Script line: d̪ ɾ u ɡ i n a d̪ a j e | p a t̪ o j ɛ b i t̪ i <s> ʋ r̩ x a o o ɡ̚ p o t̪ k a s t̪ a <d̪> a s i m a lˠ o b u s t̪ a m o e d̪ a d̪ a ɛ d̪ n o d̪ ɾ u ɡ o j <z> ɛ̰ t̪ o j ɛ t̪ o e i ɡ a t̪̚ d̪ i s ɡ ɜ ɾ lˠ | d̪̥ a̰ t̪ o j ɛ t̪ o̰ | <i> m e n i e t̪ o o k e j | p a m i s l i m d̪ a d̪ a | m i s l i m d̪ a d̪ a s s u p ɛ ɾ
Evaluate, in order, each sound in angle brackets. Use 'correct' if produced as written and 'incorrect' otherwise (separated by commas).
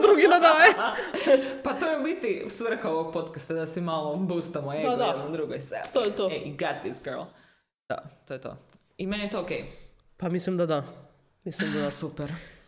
correct, correct, incorrect, correct